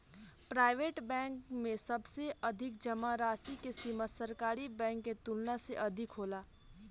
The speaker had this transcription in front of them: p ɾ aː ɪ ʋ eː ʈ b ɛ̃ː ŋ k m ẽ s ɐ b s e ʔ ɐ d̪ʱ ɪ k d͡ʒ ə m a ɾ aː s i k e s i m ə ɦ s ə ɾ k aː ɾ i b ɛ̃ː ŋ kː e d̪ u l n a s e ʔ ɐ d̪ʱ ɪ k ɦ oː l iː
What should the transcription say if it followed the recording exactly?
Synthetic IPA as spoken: p ɾ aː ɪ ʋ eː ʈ b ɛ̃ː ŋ k m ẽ s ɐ b s e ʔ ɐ d̪ʱ ɪ k d͡ʒ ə m a ɾ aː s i k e s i m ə s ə ɾ k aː ɾ i b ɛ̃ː ŋ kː e t̪ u l n a s e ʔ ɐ d̪ʱ ɪ k ɦ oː l aː